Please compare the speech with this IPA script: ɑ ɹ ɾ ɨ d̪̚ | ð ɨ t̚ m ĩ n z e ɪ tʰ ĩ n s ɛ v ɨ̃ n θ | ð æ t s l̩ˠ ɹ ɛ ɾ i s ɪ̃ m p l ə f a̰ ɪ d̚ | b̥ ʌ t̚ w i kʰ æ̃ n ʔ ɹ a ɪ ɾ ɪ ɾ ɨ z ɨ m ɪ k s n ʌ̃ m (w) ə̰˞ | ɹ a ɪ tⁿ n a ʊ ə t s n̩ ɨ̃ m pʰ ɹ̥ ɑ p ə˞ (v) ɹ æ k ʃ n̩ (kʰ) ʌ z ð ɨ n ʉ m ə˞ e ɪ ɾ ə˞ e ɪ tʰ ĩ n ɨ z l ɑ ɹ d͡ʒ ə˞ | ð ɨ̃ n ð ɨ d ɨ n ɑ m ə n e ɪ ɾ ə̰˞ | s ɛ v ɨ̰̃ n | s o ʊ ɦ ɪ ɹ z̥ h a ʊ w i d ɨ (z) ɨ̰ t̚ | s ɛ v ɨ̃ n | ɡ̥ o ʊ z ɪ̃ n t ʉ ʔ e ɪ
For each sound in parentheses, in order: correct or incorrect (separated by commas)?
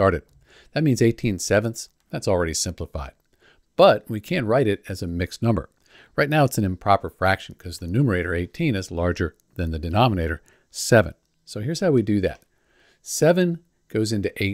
incorrect, incorrect, correct, incorrect